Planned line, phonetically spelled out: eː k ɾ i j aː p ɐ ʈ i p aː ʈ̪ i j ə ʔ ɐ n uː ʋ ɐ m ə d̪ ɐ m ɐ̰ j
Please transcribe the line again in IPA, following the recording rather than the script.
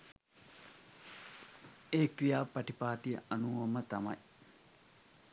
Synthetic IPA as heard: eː k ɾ i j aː p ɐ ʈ i p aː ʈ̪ i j ə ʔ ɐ n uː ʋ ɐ m ə t̪ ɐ m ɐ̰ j